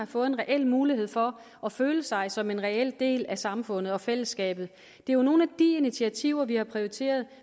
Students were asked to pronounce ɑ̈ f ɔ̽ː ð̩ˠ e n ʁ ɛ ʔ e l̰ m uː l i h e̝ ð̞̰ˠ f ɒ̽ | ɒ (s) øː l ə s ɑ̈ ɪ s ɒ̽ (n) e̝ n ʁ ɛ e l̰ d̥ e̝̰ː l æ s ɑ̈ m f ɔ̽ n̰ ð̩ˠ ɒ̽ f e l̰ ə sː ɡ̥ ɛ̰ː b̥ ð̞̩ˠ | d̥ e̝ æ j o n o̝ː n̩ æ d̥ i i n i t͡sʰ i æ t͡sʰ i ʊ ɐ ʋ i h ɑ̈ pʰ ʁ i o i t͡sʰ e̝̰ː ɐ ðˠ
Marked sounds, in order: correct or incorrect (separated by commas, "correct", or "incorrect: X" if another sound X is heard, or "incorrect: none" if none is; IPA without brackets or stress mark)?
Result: incorrect: f, incorrect: m